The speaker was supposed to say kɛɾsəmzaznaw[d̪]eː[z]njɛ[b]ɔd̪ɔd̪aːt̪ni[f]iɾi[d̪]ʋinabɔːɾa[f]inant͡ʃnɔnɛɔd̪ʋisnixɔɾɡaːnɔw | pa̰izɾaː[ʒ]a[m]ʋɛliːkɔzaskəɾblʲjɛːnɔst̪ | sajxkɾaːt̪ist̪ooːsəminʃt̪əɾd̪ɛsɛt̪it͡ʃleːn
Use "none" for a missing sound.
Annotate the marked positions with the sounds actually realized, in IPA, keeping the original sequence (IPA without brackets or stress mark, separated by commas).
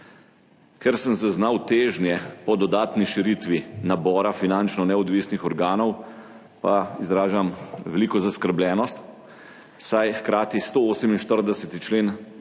t̪, ʒ, p, ʃ, t̪, f, ʒ, m